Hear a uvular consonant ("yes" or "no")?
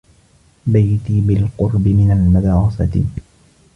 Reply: yes